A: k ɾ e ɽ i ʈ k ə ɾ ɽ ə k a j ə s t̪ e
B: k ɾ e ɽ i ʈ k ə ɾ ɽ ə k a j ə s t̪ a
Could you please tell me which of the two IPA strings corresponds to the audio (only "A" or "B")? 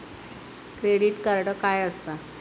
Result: B